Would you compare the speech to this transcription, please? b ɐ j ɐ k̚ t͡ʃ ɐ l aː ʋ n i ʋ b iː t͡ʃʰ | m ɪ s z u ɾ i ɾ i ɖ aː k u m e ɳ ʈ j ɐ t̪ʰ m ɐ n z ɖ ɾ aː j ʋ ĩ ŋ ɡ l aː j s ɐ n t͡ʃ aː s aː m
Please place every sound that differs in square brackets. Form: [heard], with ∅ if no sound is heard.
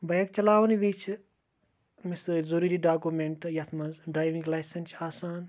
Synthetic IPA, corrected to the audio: b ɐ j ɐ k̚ t͡ʃ ɐ l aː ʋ n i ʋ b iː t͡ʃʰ | m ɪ s z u ɾ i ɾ i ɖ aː k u m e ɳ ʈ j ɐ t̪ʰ m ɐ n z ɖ ɾ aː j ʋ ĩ ŋ ɡ l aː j s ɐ n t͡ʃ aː s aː [n]